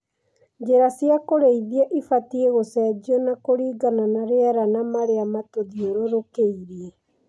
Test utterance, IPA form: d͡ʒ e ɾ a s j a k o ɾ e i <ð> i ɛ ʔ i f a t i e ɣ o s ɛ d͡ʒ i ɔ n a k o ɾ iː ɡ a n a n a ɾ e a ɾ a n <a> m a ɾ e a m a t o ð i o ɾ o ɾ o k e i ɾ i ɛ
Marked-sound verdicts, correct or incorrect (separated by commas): correct, correct